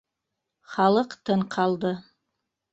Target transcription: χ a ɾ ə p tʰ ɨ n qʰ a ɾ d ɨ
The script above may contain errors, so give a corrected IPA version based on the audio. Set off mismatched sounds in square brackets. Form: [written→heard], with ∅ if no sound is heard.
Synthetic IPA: χ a [ɾ→l] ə [p→q] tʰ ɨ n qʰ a [ɾ→l] d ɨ